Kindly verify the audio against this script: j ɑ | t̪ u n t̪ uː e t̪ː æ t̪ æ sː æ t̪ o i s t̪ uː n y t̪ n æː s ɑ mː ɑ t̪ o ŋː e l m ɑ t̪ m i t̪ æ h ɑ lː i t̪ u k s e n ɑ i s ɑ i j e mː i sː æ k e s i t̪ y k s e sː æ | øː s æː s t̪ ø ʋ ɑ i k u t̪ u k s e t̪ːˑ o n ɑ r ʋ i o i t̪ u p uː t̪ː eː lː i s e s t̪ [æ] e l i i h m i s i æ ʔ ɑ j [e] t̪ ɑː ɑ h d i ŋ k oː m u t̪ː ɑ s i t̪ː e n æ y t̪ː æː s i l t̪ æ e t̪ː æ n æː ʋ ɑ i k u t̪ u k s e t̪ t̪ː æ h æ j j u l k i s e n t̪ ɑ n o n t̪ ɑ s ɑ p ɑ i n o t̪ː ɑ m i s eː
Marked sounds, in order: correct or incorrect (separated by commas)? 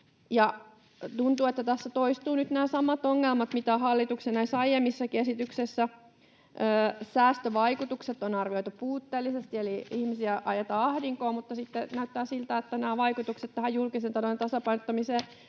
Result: incorrect, correct